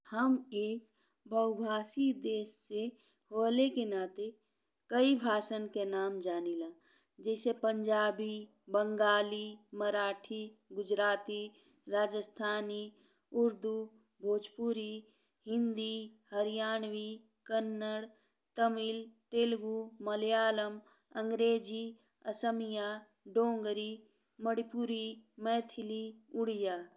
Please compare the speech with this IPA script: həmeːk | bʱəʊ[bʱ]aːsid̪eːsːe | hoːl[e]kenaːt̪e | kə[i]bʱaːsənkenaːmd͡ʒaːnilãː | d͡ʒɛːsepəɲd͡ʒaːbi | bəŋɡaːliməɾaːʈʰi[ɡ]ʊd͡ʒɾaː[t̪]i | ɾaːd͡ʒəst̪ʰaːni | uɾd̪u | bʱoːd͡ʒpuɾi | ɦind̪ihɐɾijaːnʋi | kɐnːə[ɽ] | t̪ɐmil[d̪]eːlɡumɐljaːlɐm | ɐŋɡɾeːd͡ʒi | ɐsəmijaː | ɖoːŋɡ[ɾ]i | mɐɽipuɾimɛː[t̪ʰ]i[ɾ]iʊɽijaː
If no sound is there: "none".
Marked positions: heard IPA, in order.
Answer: bʱ, e, i, ɡ, t̪, ɽ, t̪, ɾ, t̪ʰ, l

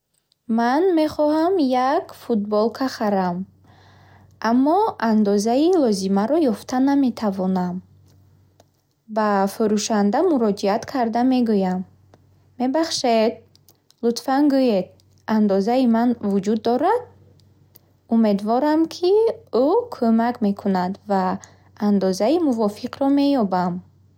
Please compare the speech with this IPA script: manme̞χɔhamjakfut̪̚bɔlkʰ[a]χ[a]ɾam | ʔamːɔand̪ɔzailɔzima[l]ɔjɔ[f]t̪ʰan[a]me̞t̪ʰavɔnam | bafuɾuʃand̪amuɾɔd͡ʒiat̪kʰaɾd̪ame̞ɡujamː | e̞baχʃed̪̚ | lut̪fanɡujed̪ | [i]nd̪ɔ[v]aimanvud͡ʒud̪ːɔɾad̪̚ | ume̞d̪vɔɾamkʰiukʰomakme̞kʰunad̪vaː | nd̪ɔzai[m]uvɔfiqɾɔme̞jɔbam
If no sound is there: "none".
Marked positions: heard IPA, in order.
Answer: a, a, ɾ, f, a, a, z, m

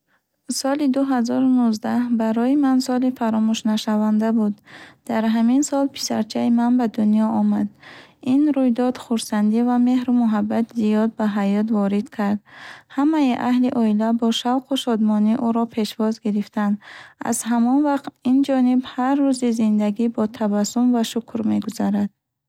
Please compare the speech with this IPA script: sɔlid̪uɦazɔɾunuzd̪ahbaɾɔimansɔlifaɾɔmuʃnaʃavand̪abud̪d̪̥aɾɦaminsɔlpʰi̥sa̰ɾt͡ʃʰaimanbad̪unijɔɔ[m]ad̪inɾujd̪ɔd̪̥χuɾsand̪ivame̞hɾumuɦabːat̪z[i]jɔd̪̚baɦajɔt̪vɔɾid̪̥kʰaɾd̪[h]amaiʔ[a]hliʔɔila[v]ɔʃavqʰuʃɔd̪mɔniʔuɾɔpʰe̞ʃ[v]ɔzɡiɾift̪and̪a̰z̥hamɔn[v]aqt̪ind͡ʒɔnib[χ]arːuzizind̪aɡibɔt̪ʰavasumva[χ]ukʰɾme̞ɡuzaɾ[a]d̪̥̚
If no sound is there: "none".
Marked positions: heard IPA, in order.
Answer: m, i, h, a, b, v, v, h, ʃ, a

